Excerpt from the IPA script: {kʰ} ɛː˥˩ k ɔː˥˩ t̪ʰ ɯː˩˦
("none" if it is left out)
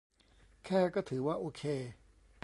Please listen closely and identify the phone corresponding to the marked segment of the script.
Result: kʰ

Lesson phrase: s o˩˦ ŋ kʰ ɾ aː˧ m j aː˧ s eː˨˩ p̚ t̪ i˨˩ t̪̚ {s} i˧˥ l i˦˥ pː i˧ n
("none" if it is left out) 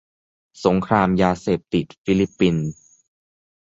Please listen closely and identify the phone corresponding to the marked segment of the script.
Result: f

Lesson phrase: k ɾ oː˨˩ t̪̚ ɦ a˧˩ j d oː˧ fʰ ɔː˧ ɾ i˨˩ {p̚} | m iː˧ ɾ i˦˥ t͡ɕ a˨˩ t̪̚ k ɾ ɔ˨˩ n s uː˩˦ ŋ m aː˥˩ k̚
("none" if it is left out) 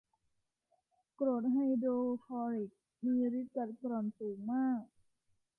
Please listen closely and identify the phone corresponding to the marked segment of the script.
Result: k̚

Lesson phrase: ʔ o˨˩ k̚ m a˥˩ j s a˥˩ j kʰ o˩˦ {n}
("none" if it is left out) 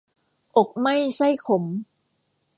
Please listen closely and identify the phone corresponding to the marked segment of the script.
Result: m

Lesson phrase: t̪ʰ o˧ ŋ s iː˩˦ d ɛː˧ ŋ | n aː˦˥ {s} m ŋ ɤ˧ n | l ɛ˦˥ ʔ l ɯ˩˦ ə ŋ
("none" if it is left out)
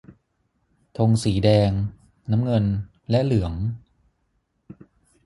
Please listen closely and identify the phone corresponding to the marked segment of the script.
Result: none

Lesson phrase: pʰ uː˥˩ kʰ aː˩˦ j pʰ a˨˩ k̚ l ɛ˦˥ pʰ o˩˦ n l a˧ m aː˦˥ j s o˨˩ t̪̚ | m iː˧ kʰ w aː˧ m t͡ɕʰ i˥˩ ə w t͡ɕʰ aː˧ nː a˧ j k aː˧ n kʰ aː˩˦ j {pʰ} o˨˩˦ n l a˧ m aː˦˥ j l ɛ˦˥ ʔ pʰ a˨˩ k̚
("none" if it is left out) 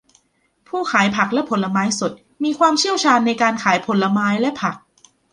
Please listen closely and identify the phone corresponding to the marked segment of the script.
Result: pʰ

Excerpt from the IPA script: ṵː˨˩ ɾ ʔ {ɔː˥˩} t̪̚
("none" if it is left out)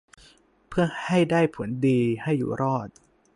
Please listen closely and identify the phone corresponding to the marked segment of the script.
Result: ɔː˥˩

